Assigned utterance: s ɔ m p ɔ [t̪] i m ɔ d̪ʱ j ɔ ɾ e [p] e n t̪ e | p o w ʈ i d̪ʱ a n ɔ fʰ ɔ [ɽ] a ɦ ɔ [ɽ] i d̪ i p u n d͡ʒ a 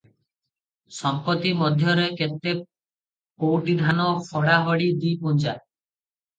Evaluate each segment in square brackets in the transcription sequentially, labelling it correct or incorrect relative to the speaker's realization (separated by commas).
correct, incorrect, correct, correct